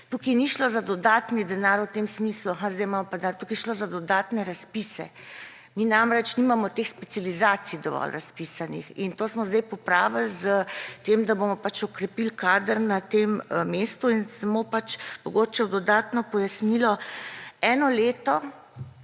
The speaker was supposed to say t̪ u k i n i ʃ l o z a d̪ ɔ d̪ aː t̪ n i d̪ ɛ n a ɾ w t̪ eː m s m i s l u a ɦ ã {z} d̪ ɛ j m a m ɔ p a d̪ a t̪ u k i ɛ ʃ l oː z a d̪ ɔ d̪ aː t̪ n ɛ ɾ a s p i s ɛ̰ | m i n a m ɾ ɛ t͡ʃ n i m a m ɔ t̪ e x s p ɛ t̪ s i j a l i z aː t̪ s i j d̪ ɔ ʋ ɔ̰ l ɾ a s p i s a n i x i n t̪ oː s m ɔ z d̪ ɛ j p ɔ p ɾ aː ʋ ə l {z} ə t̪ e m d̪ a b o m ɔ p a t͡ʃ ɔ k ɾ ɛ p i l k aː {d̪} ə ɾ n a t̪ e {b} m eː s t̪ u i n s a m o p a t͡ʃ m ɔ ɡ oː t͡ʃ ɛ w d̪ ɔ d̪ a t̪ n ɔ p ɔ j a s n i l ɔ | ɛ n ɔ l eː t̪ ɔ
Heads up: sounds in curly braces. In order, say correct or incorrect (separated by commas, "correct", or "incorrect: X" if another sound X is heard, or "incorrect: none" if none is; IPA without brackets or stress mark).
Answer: correct, correct, correct, incorrect: m